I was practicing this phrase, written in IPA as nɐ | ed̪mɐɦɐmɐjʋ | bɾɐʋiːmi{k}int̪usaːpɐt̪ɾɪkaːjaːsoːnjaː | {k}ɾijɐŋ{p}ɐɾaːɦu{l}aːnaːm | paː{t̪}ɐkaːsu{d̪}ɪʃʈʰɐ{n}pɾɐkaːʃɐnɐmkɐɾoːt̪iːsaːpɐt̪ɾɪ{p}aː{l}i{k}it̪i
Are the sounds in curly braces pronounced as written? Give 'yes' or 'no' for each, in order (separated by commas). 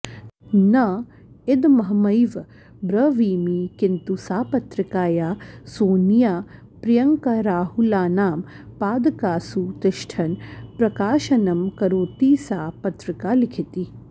yes, no, no, yes, no, no, yes, no, yes, no